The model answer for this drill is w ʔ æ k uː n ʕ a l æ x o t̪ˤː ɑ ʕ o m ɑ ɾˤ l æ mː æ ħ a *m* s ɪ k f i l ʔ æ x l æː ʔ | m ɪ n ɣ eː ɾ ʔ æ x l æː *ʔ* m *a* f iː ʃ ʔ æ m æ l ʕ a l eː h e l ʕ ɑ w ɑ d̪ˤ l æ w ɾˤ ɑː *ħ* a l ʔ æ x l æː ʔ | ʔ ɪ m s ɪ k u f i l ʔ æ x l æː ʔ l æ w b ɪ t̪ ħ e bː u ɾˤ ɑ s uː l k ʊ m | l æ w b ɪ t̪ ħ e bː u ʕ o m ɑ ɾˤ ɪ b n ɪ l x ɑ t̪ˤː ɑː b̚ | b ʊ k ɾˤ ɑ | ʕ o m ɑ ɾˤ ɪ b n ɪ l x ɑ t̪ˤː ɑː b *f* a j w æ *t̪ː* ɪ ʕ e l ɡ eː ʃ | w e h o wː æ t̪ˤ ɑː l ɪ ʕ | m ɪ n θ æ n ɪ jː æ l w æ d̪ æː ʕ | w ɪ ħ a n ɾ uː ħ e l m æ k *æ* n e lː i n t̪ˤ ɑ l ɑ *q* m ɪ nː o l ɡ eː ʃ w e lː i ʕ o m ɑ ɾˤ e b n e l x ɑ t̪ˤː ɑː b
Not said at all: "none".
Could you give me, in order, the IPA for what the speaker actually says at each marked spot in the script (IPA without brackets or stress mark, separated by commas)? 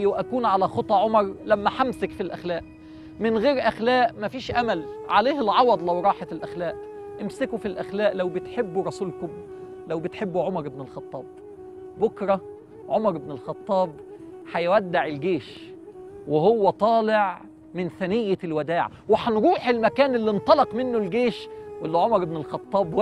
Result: m, ʔ, æ, ħ, ħ, d̪ː, æː, q